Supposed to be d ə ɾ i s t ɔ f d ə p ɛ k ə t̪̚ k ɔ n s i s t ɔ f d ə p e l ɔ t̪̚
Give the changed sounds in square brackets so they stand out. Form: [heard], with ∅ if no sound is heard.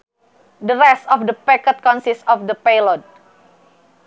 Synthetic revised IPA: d ə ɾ [ɛ] s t ɔ f d ə p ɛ k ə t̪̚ k ɔ n s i s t ɔ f d ə p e l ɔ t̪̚